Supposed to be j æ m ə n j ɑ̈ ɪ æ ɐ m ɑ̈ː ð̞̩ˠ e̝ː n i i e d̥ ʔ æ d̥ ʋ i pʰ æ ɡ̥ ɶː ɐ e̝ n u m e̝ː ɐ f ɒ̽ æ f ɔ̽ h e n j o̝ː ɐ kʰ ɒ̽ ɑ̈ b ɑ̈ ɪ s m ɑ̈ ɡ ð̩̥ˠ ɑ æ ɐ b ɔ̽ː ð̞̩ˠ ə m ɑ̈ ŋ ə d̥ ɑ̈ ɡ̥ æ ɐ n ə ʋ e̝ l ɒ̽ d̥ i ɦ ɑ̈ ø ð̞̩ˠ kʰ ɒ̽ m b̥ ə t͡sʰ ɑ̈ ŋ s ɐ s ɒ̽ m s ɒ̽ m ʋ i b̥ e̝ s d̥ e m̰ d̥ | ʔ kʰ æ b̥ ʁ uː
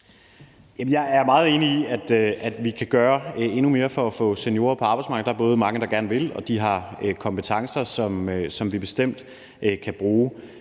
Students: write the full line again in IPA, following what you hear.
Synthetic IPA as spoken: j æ m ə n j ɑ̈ ɪ æ ɐ m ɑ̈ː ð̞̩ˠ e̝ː n i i æ d̥ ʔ æ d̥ ʋ i kʰ æ ɡ̥ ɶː ɐ e̝ n u m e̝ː ɐ f ɒ̽ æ f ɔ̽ s e n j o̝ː ɐ pʰ ɒ̽ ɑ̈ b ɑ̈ ɪ s m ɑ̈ ɡ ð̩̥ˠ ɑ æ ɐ b ɔ̽ː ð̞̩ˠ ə m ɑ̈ ŋ ə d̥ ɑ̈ ɡ̥ æ ɐ n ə ʋ e̝ l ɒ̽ d̥ i ɦ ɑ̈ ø kʰ ɒ̽ m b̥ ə t͡sʰ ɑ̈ ŋ s ɐ s ɒ̽ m s ɒ̽ m ʋ i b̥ e̝ s d̥ e m̰ d̥ | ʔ kʰ æ b̥ ʁ uː